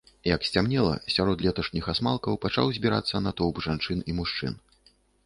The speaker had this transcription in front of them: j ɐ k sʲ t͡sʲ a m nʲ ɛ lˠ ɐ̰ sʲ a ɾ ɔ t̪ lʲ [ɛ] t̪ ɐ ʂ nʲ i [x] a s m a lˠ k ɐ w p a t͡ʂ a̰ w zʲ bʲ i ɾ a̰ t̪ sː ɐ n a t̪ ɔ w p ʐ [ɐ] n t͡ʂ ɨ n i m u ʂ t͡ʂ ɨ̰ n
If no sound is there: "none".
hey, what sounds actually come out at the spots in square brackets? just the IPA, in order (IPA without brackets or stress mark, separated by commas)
ɛ, x, a